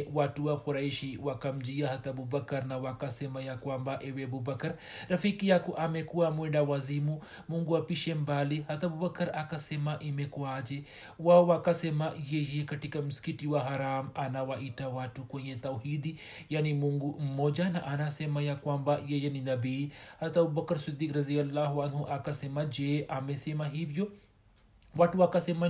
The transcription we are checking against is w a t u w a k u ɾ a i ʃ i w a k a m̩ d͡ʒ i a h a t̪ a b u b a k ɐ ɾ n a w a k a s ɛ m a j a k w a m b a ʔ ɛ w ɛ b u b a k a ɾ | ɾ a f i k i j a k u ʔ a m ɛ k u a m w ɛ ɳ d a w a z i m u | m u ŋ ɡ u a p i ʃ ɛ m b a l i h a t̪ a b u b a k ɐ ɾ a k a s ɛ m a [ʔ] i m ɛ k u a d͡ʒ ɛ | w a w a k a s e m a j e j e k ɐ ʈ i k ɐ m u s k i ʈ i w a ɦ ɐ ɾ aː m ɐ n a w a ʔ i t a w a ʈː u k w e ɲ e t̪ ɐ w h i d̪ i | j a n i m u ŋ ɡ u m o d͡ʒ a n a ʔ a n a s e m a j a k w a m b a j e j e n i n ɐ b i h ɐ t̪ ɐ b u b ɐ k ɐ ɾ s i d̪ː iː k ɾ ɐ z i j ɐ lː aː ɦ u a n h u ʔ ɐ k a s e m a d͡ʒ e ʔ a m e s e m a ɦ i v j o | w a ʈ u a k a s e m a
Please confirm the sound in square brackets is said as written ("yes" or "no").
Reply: yes